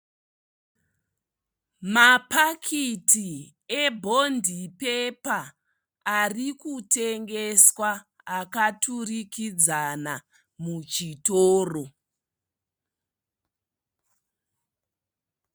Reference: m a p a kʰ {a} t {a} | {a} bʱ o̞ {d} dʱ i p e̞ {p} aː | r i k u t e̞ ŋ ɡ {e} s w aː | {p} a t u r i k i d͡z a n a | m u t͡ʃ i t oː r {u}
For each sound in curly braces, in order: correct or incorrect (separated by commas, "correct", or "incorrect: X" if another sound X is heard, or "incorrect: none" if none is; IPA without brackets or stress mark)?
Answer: incorrect: i, incorrect: i, incorrect: e, incorrect: n, correct, correct, incorrect: k, incorrect: o